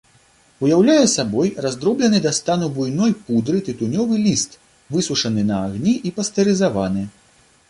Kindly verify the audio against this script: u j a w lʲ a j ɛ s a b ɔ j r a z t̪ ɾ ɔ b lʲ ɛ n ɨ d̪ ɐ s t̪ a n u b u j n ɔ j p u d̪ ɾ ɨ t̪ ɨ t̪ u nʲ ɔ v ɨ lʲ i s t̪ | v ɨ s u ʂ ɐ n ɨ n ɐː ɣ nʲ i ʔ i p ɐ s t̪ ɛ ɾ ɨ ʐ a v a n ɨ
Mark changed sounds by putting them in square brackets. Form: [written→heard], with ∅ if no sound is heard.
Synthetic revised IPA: u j a w lʲ a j ɛ s a b ɔ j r a z [t̪→d̪] ɾ ɔ b lʲ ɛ n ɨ d̪ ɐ s t̪ a n u b u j n ɔ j p u d̪ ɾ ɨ t̪ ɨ t̪ u nʲ ɔ v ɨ lʲ i s t̪ | v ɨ s u ʂ ɐ n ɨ n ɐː ɣ nʲ i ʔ i p ɐ s t̪ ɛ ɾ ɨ [ʐ→z] a v a n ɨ